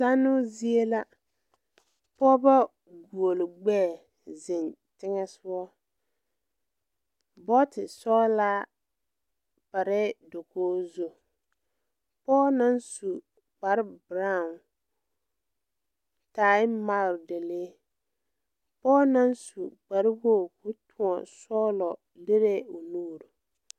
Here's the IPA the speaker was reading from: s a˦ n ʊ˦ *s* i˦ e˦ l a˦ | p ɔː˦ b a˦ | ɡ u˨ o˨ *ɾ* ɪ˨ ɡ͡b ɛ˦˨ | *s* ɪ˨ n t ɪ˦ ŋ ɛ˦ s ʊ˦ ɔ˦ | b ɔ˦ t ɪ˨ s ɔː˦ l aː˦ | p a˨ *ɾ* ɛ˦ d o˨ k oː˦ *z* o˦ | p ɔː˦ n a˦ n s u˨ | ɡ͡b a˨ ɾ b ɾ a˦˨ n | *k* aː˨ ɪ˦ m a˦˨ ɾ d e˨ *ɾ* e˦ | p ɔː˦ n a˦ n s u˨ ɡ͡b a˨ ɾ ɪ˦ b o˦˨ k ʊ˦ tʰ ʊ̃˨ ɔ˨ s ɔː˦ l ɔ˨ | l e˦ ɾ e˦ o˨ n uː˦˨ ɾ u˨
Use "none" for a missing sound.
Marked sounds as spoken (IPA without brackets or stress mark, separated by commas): z, l, z, ɾ, z, t, l